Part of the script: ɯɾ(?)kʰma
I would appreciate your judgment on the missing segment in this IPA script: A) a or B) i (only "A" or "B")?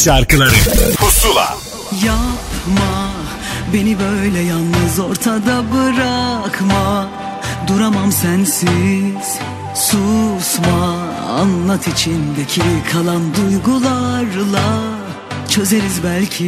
A